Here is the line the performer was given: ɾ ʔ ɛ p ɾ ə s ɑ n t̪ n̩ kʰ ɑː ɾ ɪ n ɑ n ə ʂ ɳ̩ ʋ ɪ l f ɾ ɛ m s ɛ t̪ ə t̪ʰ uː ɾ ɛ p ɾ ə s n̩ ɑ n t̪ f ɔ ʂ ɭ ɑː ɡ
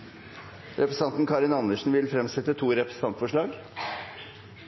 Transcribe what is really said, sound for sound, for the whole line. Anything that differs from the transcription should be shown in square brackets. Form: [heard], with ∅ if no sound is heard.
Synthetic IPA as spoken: ɾ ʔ ɛ p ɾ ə s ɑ n t̪ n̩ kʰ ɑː ɾ ɪ n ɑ n ə ʂ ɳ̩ ʋ ɪ l f ɾ ɛ m s ɛ t̪ ə t̪ʰ uː ɾ ɛ p ɾ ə s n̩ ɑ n t̪ f ɔ ʂ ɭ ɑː ɡ